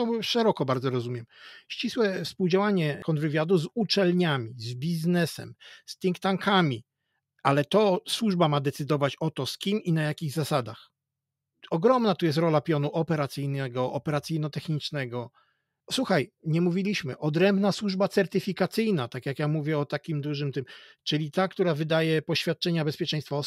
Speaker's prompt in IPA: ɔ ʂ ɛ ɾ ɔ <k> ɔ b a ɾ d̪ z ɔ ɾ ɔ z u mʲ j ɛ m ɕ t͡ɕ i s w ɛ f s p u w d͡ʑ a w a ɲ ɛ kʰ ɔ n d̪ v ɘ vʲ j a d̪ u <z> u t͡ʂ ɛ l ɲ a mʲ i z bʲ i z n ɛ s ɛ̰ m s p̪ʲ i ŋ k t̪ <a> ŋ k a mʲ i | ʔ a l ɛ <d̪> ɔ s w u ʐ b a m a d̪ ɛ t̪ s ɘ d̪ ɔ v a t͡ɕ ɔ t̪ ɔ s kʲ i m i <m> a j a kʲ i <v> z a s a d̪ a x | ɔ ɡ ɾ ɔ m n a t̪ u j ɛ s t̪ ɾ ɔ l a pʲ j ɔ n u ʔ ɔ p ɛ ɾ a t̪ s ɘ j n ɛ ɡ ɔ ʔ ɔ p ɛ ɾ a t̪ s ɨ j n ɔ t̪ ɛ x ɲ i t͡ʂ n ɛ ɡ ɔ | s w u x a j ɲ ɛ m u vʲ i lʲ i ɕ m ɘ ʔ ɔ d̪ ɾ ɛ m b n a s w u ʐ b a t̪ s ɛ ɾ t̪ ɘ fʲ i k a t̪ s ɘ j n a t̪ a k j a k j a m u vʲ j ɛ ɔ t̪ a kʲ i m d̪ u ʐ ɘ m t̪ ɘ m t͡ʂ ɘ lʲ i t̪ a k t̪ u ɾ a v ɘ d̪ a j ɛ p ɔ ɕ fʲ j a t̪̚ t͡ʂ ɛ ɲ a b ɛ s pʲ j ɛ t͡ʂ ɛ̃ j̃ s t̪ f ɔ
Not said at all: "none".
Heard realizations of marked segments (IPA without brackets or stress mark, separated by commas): k, z, a, t̪, n, ɣ